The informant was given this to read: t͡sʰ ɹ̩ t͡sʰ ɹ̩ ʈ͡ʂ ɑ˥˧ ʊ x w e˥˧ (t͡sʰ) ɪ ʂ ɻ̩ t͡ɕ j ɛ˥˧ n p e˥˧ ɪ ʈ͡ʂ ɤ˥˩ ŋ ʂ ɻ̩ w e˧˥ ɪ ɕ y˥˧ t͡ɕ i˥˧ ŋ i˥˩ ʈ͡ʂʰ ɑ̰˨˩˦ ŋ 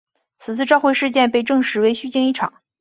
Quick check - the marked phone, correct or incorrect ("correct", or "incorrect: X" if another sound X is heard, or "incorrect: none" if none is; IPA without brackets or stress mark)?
incorrect: none